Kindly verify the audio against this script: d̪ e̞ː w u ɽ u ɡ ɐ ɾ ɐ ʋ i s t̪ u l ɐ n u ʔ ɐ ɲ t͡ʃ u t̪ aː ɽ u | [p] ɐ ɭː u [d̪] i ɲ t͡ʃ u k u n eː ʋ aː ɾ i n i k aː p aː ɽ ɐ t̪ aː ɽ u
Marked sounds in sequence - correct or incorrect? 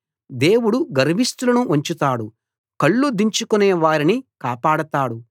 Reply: incorrect: k, correct

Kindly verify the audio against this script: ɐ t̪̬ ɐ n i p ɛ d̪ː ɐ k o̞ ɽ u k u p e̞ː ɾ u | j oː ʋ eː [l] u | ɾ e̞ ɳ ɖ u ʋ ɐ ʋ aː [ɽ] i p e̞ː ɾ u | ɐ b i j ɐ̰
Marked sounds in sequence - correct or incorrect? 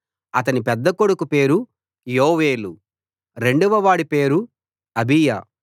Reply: correct, correct

